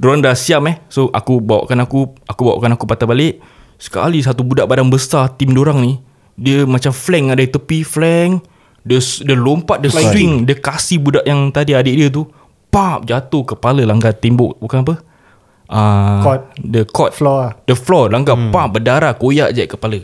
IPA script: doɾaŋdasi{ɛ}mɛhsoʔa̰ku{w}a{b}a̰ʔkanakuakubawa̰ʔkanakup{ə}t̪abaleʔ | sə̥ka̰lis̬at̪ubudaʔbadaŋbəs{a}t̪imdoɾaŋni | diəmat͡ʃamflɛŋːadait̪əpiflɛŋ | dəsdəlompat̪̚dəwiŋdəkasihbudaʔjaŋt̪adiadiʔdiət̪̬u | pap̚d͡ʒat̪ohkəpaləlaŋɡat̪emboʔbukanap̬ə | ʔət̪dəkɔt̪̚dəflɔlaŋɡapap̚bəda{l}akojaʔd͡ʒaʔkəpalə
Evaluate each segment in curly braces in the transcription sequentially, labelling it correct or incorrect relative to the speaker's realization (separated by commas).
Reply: incorrect, incorrect, incorrect, incorrect, correct, incorrect